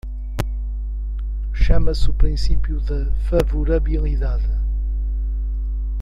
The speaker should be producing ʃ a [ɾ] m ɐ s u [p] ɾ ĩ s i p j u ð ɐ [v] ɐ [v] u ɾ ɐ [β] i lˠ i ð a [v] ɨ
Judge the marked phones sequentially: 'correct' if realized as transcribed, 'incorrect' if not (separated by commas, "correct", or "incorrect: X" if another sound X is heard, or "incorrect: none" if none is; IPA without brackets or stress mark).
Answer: incorrect: none, correct, incorrect: f, correct, correct, incorrect: ð